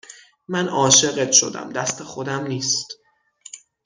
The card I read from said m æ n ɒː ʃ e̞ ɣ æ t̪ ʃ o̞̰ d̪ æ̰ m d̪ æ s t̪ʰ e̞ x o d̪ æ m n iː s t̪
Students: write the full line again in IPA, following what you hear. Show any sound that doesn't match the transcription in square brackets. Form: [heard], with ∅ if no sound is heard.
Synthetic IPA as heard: m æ n ɒː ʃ e̞ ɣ [e] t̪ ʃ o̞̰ d̪ æ̰ m d̪ æ s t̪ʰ e̞ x o d̪ æ m n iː s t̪

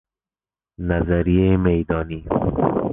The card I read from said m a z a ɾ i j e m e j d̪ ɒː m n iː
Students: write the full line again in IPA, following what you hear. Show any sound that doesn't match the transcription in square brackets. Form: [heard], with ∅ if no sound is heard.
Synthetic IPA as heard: [n] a z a ɾ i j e m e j d̪ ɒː [∅] n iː

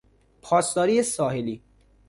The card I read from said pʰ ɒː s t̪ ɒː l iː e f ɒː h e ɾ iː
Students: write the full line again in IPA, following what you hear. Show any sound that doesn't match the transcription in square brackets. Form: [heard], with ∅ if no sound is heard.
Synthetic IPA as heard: pʰ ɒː s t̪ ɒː [ɾ] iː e [s] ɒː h e [l] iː

